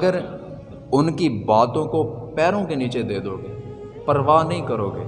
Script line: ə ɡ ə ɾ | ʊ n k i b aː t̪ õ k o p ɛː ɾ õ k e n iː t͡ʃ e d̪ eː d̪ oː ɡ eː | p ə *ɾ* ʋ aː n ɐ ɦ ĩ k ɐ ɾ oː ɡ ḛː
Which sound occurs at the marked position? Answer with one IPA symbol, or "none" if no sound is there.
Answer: ɾ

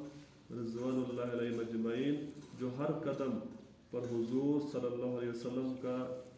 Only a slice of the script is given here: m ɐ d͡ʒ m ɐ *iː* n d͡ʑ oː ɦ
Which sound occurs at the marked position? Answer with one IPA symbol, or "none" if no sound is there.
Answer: iː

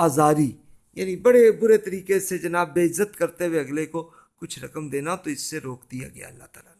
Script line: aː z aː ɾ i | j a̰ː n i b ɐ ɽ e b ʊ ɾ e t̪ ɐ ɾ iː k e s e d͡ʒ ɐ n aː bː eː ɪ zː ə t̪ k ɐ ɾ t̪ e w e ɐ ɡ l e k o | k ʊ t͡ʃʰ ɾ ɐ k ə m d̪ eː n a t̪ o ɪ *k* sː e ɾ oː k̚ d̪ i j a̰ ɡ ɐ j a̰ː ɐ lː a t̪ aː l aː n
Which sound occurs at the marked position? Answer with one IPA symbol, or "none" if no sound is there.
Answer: none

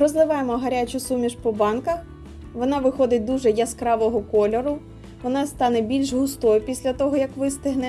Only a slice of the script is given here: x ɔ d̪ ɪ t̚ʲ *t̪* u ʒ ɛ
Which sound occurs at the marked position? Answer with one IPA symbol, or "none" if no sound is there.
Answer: d̪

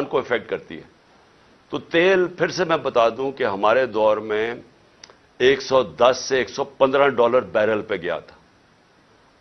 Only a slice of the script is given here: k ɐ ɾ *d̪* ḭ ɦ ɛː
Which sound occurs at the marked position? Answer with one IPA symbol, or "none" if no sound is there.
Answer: t̪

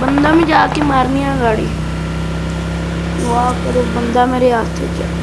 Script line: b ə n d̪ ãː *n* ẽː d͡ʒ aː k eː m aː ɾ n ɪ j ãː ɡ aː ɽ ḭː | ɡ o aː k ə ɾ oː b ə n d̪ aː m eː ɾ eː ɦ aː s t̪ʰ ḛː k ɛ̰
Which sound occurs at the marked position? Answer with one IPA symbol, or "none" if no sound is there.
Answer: m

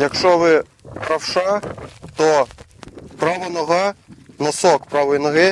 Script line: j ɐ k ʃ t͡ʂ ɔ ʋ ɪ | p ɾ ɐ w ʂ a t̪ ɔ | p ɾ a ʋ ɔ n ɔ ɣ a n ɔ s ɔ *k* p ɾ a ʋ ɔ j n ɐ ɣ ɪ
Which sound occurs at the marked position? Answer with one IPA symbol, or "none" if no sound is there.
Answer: k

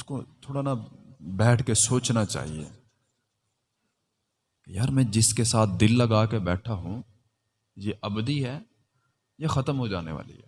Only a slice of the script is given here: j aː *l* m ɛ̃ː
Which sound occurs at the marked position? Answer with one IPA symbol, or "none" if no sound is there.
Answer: ɾ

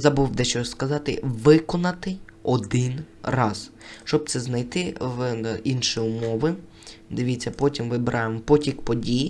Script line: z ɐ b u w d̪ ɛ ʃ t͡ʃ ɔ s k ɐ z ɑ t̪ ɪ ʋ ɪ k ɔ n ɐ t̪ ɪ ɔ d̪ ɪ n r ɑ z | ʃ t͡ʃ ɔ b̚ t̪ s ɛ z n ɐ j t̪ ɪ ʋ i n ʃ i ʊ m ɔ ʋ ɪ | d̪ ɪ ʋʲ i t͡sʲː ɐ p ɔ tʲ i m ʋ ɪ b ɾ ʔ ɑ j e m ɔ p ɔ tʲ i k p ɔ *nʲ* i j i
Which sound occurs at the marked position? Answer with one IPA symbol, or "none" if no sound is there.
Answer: dʲ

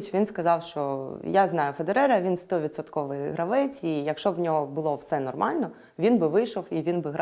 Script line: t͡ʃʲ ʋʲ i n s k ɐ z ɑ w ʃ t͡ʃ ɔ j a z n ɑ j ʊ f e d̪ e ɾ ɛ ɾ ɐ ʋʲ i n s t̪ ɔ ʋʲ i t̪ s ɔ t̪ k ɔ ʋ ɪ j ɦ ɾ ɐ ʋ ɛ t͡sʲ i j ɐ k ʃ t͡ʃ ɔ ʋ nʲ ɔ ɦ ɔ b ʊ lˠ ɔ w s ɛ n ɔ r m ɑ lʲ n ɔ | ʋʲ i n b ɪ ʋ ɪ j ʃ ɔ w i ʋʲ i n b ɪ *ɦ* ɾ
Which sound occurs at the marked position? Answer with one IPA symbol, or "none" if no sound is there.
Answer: ɦ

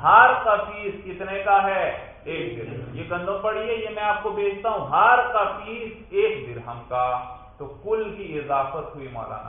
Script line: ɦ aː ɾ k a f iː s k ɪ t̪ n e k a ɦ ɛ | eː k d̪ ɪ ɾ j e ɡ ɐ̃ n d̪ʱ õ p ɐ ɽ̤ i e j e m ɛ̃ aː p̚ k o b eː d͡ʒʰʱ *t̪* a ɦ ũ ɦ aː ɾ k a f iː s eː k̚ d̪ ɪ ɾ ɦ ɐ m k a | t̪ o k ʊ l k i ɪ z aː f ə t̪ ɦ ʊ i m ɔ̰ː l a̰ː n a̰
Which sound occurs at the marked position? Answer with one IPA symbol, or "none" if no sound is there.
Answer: t̪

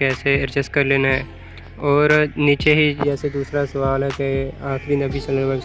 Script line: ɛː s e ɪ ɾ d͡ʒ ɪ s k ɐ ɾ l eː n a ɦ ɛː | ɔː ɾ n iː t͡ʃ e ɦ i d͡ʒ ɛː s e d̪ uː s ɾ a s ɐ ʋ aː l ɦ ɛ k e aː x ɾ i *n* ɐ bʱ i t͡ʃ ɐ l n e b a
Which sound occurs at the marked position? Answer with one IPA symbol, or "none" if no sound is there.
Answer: n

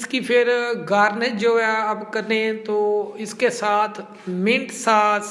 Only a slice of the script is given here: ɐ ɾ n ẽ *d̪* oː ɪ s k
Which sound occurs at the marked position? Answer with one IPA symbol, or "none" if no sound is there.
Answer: t̪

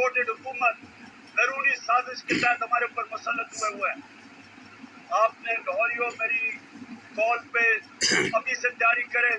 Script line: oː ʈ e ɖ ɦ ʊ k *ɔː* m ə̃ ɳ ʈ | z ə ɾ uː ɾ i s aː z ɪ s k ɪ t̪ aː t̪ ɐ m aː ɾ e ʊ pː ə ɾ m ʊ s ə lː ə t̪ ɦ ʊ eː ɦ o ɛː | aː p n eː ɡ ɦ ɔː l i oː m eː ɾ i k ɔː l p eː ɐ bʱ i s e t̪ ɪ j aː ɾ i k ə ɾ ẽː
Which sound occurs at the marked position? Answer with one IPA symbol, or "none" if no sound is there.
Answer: uː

